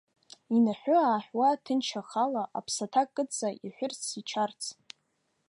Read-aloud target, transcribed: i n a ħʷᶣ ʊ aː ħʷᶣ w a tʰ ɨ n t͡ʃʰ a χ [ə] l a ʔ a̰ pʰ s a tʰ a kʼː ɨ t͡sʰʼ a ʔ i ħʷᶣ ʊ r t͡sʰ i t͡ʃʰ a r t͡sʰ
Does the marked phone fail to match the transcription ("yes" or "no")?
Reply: yes